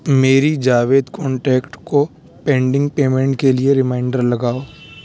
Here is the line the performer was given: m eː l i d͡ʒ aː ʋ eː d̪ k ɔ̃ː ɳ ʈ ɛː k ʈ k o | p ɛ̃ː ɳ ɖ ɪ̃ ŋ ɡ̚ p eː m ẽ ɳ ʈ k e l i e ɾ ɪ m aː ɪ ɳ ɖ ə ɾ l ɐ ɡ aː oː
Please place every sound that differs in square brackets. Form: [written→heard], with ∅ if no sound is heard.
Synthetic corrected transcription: m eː [l→ɾ] i d͡ʒ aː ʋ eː d̪ k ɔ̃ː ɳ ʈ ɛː k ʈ k o | p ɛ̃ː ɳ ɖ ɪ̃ ŋ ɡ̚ p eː m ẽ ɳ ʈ k e l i e ɾ ɪ m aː ɪ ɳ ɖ ə ɾ l ɐ ɡ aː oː